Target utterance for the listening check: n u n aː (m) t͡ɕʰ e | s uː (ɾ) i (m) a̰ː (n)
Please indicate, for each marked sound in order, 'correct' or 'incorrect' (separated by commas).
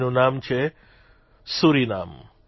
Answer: correct, correct, incorrect, incorrect